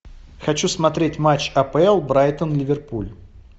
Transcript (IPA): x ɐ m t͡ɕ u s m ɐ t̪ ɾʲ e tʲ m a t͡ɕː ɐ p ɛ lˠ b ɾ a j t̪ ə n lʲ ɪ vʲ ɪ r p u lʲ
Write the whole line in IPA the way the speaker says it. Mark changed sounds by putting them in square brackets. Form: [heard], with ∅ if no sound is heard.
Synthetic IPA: x ɐ [∅] t͡ɕ u s m ɐ t̪ ɾʲ e tʲ m a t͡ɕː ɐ p ɛ lˠ b ɾ a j t̪ ə n lʲ ɪ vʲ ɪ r p u lʲ